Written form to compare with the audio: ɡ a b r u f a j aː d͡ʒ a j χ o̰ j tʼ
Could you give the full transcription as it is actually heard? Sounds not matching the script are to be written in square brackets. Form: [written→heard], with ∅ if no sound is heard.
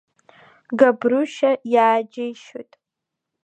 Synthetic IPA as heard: ɡ a b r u [f→ʃ] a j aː d͡ʒ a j [χ→ʃ] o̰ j tʼ